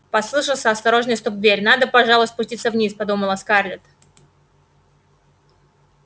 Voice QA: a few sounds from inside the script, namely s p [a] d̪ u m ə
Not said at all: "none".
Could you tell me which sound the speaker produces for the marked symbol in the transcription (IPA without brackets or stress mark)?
ɐ